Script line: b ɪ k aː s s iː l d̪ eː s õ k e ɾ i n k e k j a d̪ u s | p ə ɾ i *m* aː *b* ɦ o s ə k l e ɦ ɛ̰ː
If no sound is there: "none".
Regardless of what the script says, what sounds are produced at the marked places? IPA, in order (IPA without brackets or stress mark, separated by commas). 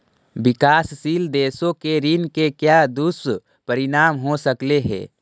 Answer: n, m